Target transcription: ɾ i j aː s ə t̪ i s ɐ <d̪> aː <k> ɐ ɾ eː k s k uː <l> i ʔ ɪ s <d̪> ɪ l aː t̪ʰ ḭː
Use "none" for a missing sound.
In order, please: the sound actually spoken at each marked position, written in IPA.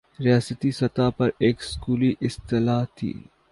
t̪, p, l, t̪

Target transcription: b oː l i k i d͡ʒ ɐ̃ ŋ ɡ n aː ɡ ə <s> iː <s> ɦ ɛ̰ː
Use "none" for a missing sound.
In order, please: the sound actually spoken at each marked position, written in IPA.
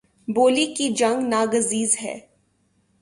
z, z

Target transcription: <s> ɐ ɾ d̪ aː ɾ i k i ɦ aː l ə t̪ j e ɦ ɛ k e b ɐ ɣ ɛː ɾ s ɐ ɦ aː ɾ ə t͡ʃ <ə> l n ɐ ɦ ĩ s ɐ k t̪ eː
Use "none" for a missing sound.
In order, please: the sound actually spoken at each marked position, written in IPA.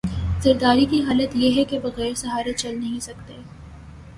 z, ɐ

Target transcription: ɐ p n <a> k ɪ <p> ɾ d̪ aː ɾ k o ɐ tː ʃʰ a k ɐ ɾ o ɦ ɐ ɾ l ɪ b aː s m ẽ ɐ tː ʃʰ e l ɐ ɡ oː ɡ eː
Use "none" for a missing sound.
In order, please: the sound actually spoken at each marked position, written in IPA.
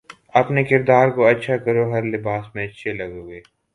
e, none

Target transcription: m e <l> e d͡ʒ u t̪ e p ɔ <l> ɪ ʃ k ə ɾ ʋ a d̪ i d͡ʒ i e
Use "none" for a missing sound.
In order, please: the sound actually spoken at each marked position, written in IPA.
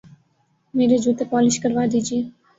ɾ, l

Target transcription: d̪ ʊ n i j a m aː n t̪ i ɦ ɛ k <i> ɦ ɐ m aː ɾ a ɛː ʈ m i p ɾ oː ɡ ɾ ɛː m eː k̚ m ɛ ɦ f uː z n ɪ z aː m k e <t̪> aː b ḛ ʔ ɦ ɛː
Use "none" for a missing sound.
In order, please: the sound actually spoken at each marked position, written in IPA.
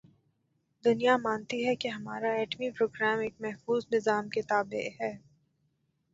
e, t̪

